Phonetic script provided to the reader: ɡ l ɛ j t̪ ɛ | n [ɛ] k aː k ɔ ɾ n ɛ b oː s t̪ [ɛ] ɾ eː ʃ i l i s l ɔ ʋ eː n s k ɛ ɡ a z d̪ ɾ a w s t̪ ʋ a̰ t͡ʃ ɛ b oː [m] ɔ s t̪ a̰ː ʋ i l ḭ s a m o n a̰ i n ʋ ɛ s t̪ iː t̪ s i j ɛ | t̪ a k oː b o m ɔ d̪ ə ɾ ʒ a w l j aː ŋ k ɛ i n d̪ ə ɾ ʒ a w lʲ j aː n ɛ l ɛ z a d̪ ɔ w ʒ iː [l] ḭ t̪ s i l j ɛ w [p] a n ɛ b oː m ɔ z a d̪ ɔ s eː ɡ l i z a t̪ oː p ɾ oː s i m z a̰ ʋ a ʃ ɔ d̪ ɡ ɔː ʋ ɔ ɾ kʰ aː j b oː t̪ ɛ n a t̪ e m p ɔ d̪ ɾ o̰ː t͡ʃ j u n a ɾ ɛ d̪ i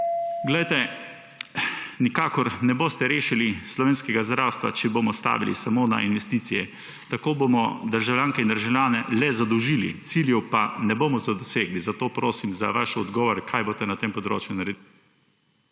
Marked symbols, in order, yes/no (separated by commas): no, yes, yes, yes, yes